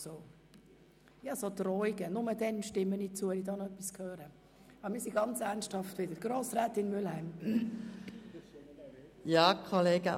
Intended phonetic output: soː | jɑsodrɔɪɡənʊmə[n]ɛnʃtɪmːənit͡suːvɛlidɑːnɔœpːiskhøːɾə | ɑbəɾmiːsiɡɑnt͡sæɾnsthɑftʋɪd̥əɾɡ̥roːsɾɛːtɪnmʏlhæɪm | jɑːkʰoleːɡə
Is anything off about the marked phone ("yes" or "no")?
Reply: yes